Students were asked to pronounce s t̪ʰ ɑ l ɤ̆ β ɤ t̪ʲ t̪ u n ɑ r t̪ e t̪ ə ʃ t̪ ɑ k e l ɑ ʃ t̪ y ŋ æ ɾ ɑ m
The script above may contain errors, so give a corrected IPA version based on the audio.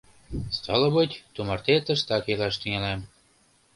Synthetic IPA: s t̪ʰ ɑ l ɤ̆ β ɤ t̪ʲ t̪ u m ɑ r t̪ e t̪ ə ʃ t̪ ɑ k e l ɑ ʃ t̪ y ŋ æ l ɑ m